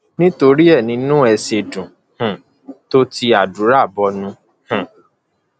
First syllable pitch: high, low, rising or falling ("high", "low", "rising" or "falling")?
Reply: high